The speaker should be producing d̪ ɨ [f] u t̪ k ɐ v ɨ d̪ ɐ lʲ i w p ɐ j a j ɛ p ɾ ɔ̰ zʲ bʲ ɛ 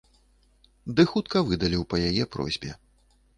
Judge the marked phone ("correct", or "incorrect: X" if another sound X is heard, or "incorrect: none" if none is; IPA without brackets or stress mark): incorrect: x